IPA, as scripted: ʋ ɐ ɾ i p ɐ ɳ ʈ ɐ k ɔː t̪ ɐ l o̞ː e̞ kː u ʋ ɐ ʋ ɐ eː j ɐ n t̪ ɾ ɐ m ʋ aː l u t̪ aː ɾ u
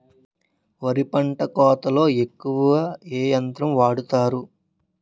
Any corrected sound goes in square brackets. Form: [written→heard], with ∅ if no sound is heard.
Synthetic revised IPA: ʋ ɐ ɾ i p ɐ ɳ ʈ ɐ k ɔː t̪ ɐ l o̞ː e̞ kː u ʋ ɐ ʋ ɐ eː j ɐ n t̪ ɾ ɐ m ʋ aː [l→ɽ] u t̪ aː ɾ u